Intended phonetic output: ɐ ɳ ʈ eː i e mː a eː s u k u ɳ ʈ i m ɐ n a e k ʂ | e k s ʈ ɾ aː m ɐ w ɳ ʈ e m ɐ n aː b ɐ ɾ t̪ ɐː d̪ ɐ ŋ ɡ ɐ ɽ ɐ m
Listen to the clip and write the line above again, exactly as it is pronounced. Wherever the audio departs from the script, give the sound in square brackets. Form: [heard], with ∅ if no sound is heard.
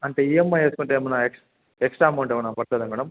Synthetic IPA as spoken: ɐ ɳ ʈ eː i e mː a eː s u k u ɳ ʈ [e] m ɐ n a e k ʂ | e k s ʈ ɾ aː m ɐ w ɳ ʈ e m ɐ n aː [p] ɐ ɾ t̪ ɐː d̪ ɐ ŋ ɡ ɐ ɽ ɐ m